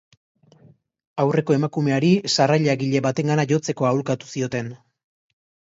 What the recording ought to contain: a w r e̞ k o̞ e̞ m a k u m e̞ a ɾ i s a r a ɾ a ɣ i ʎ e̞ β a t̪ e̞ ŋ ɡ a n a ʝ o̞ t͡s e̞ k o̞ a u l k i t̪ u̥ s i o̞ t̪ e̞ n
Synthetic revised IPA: a w r e̞ k o̞ e̞ m a k u m e̞ a ɾ i s a r a ʎ a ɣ i ʎ e̞ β a t̪ e̞ ŋ ɡ a n a ʝ o̞ t͡s e̞ k o̞ a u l k a t̪ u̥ s i o̞ t̪ e̞ n